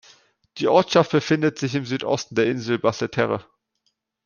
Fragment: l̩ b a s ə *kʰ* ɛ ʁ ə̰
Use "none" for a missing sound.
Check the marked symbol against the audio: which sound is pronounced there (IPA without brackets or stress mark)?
tʰ